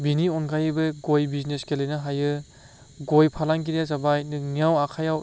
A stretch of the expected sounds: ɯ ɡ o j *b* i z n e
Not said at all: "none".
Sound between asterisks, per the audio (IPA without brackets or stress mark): b